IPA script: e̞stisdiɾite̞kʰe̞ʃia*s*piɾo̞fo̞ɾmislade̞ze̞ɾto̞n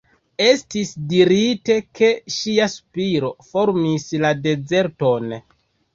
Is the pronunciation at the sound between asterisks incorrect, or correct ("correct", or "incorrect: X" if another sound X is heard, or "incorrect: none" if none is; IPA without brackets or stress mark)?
correct